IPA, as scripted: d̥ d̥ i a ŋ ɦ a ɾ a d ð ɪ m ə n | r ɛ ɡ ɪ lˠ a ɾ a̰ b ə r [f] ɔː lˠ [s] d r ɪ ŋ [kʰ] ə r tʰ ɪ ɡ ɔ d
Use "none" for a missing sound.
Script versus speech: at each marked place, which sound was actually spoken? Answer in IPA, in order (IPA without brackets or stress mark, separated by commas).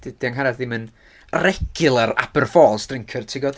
f, s, kʰ